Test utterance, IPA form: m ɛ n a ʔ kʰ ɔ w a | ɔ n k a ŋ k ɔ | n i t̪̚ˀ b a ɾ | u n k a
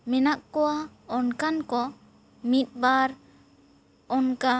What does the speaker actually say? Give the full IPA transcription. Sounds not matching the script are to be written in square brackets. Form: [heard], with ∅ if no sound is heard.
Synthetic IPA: m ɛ n a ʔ [k] ɔ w a | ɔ n k a [n] k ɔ | [m] i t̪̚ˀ b a ɾ | [ɔ] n k a